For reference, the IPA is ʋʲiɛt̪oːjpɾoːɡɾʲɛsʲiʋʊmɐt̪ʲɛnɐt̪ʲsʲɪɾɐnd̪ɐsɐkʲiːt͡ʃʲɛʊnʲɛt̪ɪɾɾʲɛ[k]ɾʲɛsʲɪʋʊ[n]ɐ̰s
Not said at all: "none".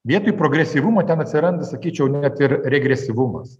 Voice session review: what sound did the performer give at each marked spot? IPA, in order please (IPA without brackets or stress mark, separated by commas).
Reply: ɡ, m